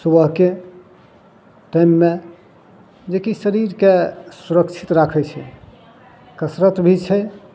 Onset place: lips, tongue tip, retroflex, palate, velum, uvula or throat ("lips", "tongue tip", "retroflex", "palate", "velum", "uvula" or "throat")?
tongue tip